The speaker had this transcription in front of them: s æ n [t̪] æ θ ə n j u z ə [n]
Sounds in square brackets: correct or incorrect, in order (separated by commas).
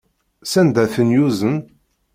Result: incorrect, correct